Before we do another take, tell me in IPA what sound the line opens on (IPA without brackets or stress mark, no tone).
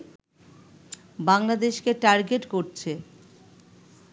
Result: b